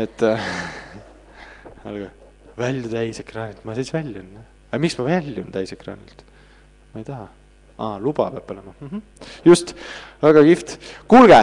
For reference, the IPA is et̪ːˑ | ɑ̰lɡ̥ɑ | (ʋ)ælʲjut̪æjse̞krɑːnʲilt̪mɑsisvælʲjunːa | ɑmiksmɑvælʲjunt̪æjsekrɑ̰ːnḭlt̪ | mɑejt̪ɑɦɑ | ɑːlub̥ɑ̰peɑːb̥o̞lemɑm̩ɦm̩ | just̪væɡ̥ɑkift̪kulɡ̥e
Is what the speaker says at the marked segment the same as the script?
no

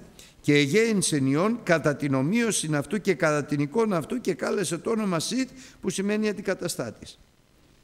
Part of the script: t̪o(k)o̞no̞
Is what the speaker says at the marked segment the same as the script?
no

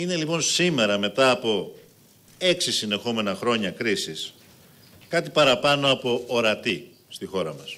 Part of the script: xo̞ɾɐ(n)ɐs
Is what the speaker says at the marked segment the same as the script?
no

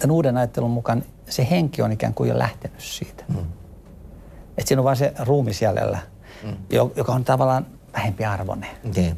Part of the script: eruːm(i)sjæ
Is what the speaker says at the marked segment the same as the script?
yes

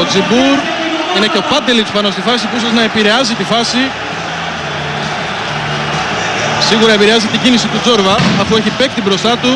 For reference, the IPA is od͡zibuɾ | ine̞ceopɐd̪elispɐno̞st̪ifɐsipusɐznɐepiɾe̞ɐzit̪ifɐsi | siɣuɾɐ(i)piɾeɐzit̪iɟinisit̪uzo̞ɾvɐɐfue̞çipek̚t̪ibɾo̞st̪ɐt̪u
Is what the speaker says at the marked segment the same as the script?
no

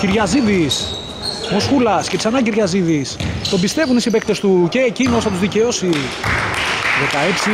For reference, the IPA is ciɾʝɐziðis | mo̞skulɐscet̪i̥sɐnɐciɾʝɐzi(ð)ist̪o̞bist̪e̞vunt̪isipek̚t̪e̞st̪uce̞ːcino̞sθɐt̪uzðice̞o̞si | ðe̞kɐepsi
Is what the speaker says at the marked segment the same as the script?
yes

